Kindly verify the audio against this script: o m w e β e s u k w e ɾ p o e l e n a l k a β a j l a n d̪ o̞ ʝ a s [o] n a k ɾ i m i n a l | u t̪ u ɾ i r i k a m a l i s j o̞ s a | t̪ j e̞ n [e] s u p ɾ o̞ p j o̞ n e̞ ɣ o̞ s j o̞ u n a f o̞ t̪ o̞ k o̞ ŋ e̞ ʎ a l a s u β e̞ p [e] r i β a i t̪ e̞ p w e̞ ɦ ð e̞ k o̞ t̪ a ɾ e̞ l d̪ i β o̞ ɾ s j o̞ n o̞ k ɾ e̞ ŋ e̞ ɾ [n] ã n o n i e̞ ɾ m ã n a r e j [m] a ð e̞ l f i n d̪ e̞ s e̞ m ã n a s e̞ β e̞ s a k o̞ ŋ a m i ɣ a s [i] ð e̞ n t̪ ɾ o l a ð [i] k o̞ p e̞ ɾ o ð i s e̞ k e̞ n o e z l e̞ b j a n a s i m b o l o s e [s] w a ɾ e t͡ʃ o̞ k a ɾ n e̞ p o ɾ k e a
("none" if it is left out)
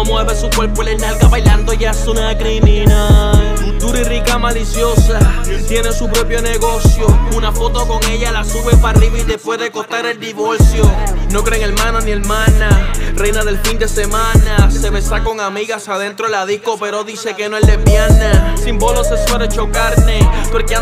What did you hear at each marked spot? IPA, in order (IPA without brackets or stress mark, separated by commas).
u, e, a, m, n, a, i, s